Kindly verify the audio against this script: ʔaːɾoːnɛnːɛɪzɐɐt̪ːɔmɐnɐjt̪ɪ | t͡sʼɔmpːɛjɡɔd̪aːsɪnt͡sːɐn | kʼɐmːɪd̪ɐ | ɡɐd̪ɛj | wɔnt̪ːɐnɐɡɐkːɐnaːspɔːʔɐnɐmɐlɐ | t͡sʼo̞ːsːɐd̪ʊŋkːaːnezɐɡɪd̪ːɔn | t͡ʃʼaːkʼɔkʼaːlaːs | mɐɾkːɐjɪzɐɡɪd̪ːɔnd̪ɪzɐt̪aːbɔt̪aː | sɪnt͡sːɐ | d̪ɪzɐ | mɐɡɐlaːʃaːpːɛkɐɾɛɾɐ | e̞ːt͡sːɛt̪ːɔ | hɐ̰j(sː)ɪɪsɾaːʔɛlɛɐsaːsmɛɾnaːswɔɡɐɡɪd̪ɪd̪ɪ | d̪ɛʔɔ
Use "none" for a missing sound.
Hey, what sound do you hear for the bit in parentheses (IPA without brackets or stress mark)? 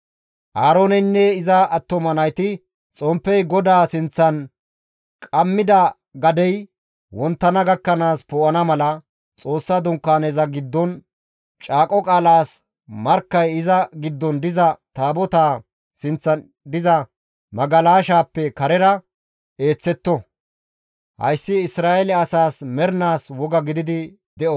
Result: sː